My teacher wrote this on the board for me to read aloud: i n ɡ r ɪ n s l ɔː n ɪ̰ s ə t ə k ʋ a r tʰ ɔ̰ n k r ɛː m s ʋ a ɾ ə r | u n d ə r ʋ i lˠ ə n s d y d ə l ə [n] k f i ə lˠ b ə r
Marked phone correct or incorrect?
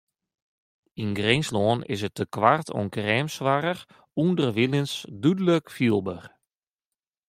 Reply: incorrect